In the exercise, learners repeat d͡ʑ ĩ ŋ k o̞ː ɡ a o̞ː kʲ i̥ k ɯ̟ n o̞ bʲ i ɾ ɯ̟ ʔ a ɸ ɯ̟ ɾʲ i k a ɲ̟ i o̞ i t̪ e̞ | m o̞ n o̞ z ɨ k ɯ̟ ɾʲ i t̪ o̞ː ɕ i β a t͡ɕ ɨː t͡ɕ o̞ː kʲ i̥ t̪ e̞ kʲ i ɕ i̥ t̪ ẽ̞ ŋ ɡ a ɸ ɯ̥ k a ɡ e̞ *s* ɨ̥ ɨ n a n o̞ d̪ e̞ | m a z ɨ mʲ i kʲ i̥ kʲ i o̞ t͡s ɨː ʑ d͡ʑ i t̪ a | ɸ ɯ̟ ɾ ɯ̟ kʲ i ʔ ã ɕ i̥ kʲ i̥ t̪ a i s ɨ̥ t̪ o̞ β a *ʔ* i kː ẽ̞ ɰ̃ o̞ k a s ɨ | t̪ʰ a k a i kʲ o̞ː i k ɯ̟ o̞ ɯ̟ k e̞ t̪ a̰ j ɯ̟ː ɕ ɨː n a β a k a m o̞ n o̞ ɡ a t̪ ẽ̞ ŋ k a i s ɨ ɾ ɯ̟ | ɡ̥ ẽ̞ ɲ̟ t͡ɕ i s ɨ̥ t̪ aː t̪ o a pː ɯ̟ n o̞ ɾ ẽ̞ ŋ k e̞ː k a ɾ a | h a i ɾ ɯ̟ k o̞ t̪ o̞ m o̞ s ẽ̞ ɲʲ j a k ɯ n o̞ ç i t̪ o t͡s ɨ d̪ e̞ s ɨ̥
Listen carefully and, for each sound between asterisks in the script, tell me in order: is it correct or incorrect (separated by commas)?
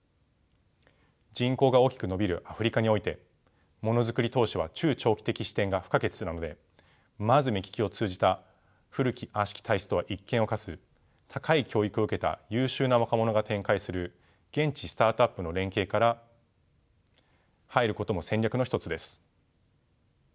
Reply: incorrect, correct